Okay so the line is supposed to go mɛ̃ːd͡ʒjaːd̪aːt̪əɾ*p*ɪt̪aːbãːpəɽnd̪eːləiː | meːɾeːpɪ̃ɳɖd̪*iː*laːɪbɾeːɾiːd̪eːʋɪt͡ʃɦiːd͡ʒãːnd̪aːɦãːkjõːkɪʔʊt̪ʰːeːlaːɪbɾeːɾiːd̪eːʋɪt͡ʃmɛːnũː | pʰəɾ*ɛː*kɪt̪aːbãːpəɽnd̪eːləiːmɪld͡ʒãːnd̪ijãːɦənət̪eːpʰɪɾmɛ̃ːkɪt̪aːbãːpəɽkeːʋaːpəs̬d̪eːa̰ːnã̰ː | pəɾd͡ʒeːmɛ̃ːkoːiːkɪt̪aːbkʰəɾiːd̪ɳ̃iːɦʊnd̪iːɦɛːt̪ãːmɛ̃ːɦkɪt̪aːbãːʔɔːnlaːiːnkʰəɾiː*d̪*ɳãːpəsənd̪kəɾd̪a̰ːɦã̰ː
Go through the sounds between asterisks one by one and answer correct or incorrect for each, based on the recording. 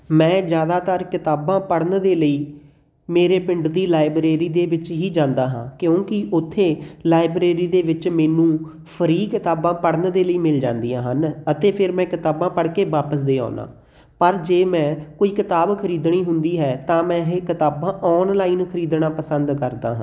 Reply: incorrect, correct, incorrect, correct

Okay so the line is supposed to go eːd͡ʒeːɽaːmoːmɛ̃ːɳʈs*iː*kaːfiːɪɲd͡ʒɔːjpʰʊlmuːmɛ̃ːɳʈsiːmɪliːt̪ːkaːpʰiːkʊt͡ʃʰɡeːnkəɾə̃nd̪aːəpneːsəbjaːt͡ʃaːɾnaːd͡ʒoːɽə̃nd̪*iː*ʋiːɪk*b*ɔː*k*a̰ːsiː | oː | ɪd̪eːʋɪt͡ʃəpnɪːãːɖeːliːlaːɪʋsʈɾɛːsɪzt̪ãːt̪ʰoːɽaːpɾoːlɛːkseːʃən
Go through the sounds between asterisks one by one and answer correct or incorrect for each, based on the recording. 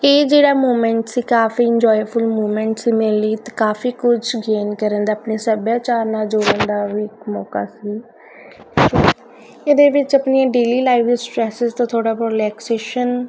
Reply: correct, incorrect, incorrect, correct

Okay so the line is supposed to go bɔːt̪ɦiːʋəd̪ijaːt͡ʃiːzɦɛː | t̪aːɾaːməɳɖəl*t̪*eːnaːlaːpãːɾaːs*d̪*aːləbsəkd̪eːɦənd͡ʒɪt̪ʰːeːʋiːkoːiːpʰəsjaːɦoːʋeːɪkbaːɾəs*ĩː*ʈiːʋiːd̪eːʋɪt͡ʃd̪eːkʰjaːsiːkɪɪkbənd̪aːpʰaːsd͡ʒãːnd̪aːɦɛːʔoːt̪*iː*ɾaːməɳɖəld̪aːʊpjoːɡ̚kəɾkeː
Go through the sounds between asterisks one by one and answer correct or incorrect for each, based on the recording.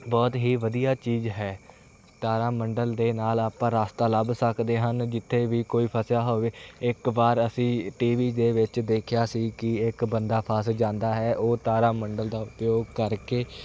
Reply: incorrect, incorrect, correct, incorrect

